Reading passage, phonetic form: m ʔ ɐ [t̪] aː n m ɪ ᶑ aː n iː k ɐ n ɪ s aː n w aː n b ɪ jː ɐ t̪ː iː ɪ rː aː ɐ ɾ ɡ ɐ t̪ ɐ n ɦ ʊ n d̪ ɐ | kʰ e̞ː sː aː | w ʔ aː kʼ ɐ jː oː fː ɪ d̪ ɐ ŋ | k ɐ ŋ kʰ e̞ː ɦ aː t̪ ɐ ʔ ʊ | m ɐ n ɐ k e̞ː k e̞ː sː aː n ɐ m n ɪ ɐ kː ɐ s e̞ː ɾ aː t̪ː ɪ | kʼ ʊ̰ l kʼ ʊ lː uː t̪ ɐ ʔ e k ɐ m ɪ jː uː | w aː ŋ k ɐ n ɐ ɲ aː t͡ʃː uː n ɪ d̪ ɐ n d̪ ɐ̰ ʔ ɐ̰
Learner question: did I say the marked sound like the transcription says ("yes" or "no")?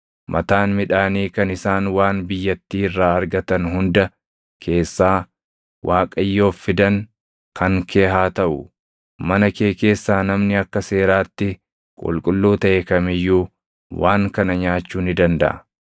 yes